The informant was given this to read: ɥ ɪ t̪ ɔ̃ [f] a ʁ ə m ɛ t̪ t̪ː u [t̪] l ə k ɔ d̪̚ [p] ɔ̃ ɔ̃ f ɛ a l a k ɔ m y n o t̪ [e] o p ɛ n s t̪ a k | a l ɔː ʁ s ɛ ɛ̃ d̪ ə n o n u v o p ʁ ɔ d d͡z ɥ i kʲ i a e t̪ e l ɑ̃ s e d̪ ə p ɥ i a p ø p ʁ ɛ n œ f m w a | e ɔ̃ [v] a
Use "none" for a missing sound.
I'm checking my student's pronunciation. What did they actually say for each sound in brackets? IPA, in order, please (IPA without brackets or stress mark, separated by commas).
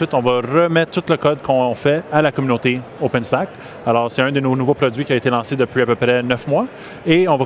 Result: v, t̪, k, e, v